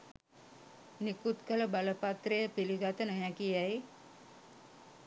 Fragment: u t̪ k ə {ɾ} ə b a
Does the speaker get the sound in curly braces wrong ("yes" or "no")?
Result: yes